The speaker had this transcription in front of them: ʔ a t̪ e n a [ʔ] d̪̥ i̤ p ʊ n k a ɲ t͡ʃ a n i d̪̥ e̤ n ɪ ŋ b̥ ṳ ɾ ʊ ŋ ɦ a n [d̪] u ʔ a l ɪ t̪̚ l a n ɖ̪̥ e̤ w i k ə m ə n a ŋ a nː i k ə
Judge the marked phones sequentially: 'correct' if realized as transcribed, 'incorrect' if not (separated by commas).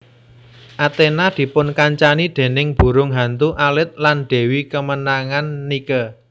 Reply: incorrect, incorrect